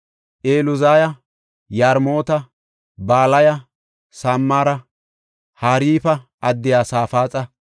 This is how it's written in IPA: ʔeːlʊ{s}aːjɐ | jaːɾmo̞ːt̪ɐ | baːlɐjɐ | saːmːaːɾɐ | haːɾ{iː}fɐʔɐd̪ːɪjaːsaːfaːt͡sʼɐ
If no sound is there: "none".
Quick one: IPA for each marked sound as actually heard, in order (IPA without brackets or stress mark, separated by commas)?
z, iː